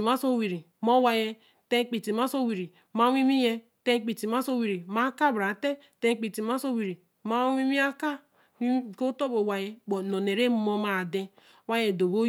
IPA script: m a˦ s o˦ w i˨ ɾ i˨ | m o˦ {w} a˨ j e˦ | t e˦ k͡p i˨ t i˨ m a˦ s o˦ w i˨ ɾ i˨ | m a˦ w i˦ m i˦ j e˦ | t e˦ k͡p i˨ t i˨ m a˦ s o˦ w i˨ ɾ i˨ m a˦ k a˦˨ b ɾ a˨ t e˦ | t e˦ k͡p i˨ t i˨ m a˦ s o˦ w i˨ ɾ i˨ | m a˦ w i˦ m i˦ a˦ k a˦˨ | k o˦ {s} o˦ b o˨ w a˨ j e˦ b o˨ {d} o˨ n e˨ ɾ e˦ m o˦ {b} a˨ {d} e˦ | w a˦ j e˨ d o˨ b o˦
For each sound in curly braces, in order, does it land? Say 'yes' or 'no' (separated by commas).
yes, no, no, no, yes